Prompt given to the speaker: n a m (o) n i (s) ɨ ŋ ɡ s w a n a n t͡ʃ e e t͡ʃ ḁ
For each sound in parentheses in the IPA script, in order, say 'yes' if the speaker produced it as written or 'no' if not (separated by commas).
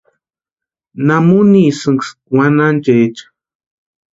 no, yes